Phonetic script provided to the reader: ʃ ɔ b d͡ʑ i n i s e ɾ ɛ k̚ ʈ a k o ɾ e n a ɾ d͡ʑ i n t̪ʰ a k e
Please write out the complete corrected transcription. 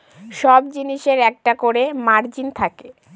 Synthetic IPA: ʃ ɔ b d͡ʑ i n i ʃ e ɾ ɛ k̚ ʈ a k o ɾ e m a ɾ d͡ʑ i n t̪ʰ a k e